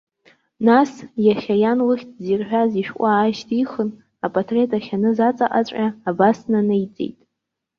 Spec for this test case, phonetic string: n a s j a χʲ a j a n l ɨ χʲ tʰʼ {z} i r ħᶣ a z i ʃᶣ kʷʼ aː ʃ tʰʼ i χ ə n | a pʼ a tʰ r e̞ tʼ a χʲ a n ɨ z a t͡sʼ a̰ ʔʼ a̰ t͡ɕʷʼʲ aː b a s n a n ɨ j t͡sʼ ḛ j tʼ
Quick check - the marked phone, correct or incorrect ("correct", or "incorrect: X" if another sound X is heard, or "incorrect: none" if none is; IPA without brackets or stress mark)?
correct